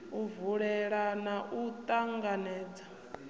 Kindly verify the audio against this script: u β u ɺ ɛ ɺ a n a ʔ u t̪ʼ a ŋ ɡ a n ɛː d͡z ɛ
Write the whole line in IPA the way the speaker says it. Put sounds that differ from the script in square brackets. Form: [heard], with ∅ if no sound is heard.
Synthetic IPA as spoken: u [v] u ɺ ɛ ɺ a n a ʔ u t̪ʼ a ŋ ɡ a n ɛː d͡z [a]